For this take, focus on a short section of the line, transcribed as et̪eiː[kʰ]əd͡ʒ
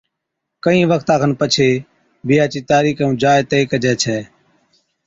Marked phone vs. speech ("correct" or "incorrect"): incorrect